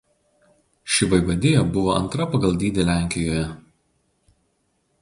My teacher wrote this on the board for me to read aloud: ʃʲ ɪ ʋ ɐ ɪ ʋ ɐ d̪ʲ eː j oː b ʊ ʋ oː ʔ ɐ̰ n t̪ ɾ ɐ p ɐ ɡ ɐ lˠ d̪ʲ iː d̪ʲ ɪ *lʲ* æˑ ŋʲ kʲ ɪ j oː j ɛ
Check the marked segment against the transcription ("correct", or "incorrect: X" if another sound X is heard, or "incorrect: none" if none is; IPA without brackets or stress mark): correct